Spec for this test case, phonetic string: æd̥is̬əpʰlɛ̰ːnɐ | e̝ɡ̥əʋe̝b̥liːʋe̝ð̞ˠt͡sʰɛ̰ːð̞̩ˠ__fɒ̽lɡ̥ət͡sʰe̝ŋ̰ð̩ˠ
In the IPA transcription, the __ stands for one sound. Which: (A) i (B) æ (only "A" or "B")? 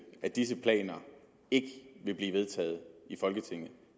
A